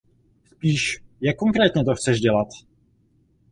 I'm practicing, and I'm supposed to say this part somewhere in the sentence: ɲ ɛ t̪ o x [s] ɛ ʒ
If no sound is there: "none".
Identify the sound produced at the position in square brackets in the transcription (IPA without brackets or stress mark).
t͡s